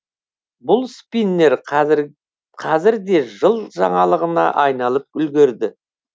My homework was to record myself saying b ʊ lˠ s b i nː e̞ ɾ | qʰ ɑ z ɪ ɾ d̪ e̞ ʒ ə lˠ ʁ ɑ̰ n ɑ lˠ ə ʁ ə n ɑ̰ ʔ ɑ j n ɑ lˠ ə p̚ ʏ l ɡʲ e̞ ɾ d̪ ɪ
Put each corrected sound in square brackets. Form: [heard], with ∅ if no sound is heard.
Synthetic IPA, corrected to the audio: b ʊ lˠ s [p] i nː e̞ ɾ | qʰ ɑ z ɪ ɾ d̪ e̞ ʒ ə lˠ [ʒ] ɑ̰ [ɴ] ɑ lˠ ə ʁ ə n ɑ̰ ʔ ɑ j n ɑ lˠ ə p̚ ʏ l ɡʲ e̞ ɾ d̪ ɪ